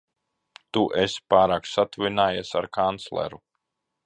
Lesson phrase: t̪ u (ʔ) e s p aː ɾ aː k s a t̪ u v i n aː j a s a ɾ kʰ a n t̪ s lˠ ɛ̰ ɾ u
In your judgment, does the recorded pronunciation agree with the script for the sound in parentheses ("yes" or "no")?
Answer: yes